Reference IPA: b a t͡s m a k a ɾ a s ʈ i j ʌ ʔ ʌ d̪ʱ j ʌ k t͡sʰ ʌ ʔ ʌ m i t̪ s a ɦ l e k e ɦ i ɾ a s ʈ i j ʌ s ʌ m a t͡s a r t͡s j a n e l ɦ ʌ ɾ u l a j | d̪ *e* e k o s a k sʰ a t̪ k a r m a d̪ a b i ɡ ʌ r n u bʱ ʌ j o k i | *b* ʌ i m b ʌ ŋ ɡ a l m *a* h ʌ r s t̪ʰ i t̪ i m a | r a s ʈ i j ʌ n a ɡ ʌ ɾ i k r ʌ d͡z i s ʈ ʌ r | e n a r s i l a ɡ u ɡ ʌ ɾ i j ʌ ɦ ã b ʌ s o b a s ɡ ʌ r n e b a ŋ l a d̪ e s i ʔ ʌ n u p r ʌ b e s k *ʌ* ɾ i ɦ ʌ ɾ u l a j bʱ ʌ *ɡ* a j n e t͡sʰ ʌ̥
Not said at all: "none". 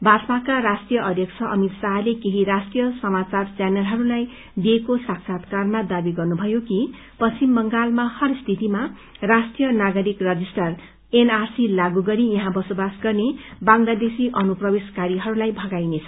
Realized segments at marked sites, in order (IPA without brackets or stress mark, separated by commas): i, p, a, a, ɡ